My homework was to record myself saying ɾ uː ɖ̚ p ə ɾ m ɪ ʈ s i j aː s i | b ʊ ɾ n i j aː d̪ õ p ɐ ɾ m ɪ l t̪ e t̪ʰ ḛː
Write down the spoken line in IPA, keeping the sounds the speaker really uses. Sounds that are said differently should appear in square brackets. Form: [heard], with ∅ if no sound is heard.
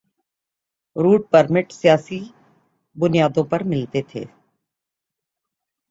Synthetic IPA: ɾ uː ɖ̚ p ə ɾ m ɪ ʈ s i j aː s i | b ʊ [∅] n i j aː d̪ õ p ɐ ɾ m ɪ l t̪ e t̪ʰ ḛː